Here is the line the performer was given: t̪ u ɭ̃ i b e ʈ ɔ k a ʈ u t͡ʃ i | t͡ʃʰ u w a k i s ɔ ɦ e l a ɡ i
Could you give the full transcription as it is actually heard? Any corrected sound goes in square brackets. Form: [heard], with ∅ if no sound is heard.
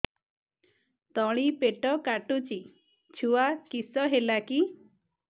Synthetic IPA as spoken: t̪ [ɔ] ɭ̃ i [p] e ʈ ɔ k a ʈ u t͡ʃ i | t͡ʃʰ u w a k i s ɔ ɦ e l a [k] i